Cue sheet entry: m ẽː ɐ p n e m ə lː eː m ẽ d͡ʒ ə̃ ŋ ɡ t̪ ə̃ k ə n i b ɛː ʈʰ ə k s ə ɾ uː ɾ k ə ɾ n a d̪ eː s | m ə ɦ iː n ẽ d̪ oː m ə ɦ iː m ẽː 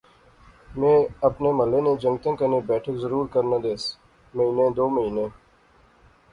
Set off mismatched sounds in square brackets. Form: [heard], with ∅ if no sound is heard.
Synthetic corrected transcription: m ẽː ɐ p n e m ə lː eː [n] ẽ d͡ʒ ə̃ ŋ ɡ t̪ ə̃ k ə n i b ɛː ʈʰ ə k [z] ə ɾ uː ɾ k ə ɾ n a d̪ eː s | m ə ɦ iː n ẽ d̪ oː m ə ɦ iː [n] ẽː